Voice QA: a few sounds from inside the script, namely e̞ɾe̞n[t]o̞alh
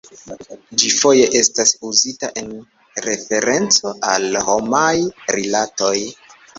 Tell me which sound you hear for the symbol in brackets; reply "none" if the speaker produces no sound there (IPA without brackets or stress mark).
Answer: t͡s